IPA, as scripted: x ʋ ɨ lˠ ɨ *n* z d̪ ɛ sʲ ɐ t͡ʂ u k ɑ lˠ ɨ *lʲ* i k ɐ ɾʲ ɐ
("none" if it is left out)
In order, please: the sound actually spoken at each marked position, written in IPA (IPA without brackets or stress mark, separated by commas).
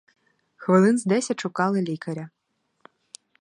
n, lʲ